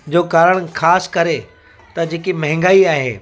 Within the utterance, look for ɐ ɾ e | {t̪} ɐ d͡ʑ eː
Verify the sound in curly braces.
correct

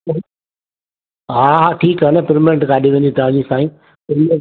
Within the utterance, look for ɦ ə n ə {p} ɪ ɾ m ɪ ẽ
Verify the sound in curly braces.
correct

